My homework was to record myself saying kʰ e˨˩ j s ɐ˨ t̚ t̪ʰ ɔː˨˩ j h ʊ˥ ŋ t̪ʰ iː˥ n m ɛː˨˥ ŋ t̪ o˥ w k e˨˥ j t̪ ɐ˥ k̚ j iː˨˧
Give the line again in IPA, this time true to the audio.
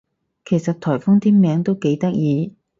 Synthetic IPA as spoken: kʰ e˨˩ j s ɐ˨ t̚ t̪ʰ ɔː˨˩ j f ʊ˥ ŋ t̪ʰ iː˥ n m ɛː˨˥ ŋ t̪ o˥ w k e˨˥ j t̪ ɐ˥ k̚ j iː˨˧

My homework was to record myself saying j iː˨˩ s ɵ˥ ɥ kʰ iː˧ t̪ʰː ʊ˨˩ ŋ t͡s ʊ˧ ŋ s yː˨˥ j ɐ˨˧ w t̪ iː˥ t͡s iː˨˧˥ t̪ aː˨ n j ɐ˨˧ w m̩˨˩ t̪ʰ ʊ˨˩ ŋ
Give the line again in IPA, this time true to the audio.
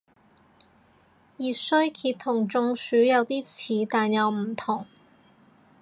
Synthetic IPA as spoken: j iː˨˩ s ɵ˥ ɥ kʰ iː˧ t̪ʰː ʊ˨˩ ŋ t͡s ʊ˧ ŋ s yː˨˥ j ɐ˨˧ w t̪ iː˥ t͡sʰ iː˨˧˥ t̪ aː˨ n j ɐ˨˧ w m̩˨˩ t̪ʰ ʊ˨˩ ŋ

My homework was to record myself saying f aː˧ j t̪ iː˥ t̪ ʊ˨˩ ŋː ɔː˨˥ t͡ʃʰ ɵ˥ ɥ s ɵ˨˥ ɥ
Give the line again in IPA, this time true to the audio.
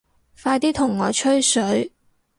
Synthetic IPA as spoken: f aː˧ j t̪ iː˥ t̪ʰ ʊ˨˩ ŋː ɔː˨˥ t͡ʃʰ ɵ˥ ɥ s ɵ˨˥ ɥ

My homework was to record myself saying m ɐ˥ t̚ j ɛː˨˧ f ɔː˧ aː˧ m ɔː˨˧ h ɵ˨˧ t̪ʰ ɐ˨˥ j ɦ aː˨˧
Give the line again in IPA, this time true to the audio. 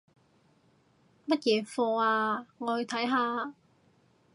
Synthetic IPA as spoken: m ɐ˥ t̚ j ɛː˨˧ f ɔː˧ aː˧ ŋ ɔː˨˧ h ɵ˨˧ t̪ʰ ɐ˨˥ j ɦ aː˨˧

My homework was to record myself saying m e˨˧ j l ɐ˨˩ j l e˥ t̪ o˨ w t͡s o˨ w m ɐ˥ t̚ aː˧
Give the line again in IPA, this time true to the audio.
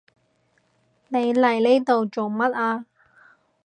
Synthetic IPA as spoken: n e˨˧ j l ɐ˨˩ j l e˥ t̪ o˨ w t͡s o˨ w m ɐ˥ t̚ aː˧

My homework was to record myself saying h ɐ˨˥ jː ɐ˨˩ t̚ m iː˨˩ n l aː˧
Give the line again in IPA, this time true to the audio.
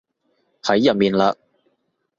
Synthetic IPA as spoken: h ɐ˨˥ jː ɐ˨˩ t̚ m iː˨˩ n l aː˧

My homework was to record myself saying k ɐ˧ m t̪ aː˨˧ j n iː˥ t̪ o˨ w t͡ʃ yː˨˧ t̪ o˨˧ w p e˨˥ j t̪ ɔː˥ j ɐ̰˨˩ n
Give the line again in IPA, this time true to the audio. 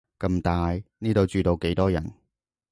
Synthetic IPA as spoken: k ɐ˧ m t̪ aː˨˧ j n iː˥ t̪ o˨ w t͡ʃ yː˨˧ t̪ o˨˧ w k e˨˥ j t̪ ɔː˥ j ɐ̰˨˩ n

